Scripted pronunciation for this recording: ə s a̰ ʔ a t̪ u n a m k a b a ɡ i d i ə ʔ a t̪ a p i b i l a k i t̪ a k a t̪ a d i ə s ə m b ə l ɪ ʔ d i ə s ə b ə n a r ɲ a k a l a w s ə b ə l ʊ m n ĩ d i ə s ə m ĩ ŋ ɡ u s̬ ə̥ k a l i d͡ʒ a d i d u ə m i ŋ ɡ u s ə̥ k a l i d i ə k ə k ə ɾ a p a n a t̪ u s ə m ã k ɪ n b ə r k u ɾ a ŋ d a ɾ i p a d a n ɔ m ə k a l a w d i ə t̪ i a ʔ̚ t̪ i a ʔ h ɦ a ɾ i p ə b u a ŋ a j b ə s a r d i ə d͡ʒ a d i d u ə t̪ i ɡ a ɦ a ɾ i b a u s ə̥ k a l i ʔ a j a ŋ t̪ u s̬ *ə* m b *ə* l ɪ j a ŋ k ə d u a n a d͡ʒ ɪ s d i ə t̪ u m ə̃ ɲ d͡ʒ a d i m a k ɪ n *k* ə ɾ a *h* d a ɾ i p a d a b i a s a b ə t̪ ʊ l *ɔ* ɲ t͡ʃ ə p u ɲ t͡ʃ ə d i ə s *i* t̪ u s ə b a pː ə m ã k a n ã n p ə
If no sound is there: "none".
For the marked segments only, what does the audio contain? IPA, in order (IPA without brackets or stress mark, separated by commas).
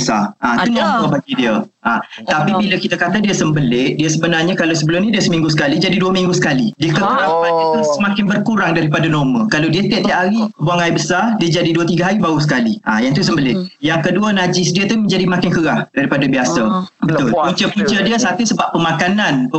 ə, ə, k, h, u, a